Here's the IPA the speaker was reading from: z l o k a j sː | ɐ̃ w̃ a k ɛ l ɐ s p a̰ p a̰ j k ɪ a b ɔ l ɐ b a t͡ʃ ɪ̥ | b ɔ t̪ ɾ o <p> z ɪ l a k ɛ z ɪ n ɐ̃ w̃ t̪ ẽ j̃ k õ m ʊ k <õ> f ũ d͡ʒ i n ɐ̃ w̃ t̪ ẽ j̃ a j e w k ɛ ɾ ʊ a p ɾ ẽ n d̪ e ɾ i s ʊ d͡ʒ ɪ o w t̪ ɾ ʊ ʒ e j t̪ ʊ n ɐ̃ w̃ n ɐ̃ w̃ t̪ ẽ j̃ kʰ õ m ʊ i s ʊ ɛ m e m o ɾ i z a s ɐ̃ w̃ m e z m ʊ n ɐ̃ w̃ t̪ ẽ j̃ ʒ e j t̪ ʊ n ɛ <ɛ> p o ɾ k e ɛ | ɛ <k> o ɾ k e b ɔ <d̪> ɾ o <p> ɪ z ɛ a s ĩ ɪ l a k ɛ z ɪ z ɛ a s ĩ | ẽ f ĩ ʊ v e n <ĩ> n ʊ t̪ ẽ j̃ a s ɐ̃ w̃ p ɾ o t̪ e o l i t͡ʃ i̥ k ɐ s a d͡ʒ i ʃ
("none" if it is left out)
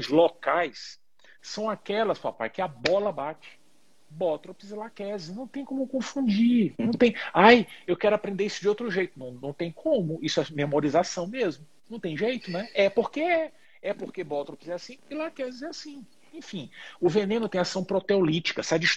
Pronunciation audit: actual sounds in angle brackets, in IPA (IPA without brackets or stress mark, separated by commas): p, õ, ɛ, p, t̪, p, ẽ